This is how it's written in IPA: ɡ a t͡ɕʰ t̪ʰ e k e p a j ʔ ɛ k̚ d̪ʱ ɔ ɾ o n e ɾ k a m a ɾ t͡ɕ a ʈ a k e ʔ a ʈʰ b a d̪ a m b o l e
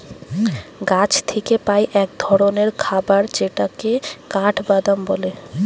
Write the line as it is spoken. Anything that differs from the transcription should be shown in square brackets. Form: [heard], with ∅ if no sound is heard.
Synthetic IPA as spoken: ɡ a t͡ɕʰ t̪ʰ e k e p a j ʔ ɛ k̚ d̪ʱ ɔ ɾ o n e ɾ [kʰ] a [b] a ɾ t͡ɕ [e] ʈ a k e [k] a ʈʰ b a d̪ a m b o l e

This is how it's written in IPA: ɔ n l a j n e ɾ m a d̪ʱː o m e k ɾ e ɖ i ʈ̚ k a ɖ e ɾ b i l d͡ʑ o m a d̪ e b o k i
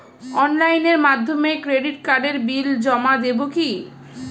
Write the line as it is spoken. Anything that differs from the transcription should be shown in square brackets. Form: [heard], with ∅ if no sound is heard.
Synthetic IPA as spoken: ɔ n l a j n e ɾ m a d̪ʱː o m e k ɾ e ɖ i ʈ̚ k a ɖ e ɾ b i l d͡ʑ [ɔ] m a d̪ e b o k i

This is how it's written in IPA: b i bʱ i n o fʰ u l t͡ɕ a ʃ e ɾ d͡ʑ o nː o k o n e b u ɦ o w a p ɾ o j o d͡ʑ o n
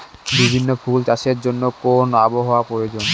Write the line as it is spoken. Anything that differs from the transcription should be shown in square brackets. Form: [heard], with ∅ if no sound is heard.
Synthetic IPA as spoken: b i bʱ i [nː] o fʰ u l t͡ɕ a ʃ e ɾ d͡ʑ o nː o k o n [a] b [o] ɦ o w a p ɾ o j o d͡ʑ o n

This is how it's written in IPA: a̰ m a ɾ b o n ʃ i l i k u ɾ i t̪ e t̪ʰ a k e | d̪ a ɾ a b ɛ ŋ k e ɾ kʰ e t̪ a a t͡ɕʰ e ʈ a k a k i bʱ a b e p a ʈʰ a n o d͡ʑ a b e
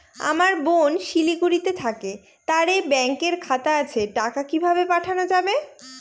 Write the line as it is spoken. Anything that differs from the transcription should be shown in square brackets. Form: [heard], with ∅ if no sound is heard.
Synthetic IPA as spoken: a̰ m a ɾ b o n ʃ i l i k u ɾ i t̪ e t̪ʰ a k e | [t̪] a ɾ [e] b ɛ ŋ k e ɾ kʰ [a] t̪ a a t͡ɕʰ e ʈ a k a k i bʱ a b e p a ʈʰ a n o d͡ʑ a b e

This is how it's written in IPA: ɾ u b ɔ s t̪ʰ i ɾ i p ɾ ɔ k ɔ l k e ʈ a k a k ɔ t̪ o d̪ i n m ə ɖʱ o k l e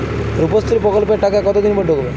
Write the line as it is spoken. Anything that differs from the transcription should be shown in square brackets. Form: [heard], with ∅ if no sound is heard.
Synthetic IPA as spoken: ɾ u [p] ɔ s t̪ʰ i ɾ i p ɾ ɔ k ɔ l [p] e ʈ a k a k ɔ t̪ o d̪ i n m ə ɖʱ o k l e

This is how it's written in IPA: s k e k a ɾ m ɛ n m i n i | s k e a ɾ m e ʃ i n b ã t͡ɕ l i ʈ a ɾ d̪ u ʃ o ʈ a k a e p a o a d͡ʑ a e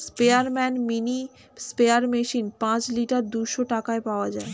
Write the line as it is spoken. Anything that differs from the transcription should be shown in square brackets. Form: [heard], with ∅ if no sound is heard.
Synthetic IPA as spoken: s [p] e [∅] a ɾ m ɛ n m i n i | s [p] e a ɾ m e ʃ i n [p] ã t͡ɕ l i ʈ a ɾ d̪ u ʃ o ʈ a k a e p a o a d͡ʑ a e

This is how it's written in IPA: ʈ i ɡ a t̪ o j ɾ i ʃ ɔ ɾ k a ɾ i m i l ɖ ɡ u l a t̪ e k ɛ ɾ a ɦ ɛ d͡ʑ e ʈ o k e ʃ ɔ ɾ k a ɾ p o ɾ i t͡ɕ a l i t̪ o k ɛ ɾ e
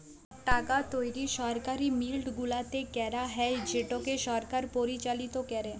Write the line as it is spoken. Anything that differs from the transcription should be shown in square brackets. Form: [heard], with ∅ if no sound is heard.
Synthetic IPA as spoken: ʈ [a] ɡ a t̪ o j ɾ i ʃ ɔ ɾ k a ɾ i m i l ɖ ɡ u l a t̪ e k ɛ ɾ a ɦ ɛ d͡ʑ e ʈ o k e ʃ ɔ ɾ k a ɾ p o ɾ i t͡ɕ a l i t̪ o k ɛ ɾ e

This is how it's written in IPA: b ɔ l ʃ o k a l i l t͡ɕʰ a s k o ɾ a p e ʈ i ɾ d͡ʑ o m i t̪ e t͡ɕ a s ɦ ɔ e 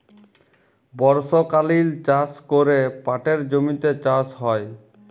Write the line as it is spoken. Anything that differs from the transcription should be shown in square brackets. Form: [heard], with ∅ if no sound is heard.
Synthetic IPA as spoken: b ɔ [ɾ] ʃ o k a l i l [t͡ɕ] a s k o ɾ [e] p [a] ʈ [e] ɾ d͡ʑ o m i t̪ e t͡ɕ a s ɦ ɔ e

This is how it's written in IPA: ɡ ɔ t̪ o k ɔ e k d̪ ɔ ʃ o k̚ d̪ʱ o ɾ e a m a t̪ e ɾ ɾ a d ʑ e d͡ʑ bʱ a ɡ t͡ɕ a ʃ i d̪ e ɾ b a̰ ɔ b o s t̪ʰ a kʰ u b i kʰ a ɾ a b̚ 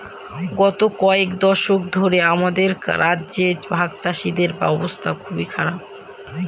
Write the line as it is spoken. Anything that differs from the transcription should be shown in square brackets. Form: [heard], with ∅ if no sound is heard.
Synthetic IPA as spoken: ɡ ɔ t̪ o k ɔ e k d̪ ɔ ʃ o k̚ d̪ʱ o ɾ e a m a [d̪] e ɾ ɾ a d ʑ e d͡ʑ bʱ a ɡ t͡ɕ a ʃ i d̪ e ɾ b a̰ ɔ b o s t̪ʰ a kʰ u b i kʰ a ɾ a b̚

